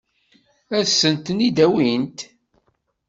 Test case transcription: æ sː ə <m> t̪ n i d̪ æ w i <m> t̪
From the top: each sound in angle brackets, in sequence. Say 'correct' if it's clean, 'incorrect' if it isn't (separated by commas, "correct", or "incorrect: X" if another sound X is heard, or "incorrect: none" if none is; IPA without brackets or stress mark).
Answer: incorrect: n, incorrect: n